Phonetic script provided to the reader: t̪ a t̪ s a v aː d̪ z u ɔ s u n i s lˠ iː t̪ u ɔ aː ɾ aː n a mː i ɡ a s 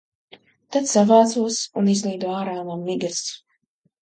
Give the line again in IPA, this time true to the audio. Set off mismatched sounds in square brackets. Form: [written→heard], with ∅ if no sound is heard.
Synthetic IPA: t̪ a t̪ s a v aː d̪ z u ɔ s u n i [s→z] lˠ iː [t̪→d̪] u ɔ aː ɾ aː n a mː i ɡ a s